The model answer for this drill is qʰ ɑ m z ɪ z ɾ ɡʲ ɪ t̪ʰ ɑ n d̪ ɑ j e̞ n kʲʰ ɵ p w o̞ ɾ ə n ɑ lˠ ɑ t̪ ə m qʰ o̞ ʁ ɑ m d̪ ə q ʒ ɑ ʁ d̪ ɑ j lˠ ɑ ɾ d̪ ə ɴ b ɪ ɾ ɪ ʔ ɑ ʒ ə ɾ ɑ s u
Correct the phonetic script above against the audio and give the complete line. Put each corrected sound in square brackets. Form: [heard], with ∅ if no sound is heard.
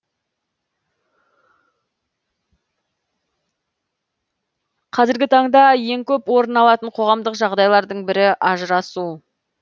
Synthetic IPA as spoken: qʰ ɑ [∅] z ɪ [∅] ɾ ɡʲ ɪ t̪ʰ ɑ [ɴ] d̪ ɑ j e̞ [ŋ] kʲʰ ɵ p w o̞ ɾ ə n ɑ lˠ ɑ t̪ ə [ɴ] qʰ o̞ ʁ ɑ m d̪ ə q ʒ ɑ ʁ d̪ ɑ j lˠ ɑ ɾ d̪ ə ɴ b ɪ ɾ ɪ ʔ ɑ ʒ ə ɾ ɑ s u

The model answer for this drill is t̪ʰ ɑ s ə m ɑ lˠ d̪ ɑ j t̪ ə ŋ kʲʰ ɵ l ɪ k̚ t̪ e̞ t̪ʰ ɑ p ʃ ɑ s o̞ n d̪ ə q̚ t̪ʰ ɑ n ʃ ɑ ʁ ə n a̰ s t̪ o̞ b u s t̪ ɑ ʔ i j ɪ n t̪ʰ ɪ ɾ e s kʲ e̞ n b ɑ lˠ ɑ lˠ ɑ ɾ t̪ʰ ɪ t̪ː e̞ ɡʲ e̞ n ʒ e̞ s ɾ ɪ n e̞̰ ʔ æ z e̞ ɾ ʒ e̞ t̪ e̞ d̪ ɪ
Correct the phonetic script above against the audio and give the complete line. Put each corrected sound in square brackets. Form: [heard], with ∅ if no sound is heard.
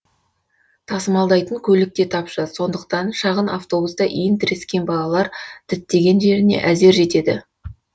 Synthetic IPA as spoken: t̪ʰ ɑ s ə m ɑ lˠ d̪ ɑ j t̪ ə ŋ kʲʰ ɵ l ɪ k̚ t̪ e̞ t̪ʰ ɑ p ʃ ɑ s o̞ n d̪ ə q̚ [t̪] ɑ n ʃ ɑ ʁ ə n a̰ [f] t̪ o̞ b u s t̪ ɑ ʔ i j ɪ n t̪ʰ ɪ ɾ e s kʲ e̞ n b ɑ lˠ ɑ lˠ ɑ ɾ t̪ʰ ɪ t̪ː e̞ ɡʲ e̞ n ʒ e̞ [∅] ɾ ɪ n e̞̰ ʔ æ z e̞ ɾ ʒ e̞ t̪ e̞ d̪ ɪ

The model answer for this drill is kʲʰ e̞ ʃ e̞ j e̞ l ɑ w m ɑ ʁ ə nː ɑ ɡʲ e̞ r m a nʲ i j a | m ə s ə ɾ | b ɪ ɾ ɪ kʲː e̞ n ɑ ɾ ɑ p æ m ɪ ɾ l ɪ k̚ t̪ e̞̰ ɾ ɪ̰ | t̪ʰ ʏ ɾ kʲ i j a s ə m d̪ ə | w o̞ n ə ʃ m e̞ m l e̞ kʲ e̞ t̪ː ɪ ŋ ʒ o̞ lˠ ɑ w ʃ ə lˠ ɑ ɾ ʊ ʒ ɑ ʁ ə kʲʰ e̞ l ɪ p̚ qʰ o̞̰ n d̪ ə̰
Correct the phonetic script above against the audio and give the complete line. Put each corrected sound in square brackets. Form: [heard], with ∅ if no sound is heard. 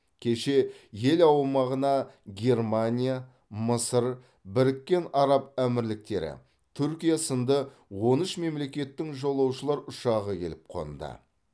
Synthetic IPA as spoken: kʲʰ e̞ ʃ e̞ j e̞ l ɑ w m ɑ ʁ ə [n] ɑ ɡʲ e̞ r m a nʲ i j a | m ə s ə ɾ | b ɪ ɾ ɪ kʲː e̞ n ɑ ɾ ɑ p æ m ɪ ɾ l ɪ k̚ t̪ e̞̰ ɾ ɪ̰ | t̪ʰ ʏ ɾ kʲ i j a s ə [n] d̪ ə | w o̞ n ə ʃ m e̞ m l e̞ kʲ e̞ t̪ː ɪ ŋ ʒ o̞ lˠ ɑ w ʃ ə lˠ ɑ ɾ ʊ [ʃ] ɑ ʁ ə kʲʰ e̞ l ɪ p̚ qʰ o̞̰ n d̪ ə̰

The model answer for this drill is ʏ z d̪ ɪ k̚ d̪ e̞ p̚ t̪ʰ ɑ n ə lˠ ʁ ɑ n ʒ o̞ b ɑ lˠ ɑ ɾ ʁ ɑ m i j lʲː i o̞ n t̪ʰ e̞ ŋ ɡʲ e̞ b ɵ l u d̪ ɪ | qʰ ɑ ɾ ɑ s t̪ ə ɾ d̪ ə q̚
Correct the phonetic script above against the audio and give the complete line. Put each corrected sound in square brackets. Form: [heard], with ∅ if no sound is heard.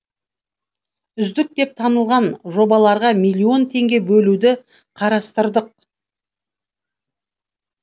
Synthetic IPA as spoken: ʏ z d̪ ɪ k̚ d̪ e̞ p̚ t̪ʰ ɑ n ə lˠ ʁ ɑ n ʒ o̞ b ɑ lˠ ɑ ɾ ʁ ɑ m i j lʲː i o̞ n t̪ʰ e̞ ŋ ɡʲ e̞ b ɵ l u d̪ ɪ | qʰ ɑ ɾ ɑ s t̪ ə ɾ d̪ ə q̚

